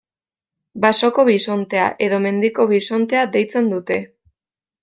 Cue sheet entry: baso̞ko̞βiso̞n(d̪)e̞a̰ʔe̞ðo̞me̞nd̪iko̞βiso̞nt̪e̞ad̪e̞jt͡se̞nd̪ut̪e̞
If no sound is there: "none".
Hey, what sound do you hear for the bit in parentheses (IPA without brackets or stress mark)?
t̪